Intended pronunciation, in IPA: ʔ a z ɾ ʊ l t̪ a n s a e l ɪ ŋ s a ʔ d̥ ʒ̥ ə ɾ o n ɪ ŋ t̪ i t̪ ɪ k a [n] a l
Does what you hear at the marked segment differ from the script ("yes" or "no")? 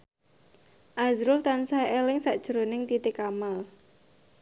yes